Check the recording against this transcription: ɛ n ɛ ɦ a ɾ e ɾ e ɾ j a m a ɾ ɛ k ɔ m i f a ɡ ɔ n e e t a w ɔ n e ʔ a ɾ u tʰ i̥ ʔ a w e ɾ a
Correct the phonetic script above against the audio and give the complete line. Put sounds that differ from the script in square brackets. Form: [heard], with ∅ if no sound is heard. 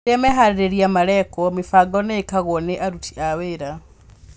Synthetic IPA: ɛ [m] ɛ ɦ a ɾ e ɾ e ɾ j a m a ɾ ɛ k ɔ m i f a ɡ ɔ n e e [k] a [ɣ] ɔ n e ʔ a ɾ u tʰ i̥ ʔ a w e ɾ a